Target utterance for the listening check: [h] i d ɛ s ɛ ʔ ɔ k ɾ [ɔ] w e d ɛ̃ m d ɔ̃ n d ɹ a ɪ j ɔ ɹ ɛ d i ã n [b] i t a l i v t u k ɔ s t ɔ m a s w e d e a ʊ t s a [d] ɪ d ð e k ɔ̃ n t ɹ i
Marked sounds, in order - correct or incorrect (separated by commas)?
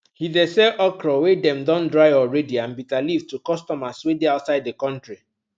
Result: correct, correct, correct, incorrect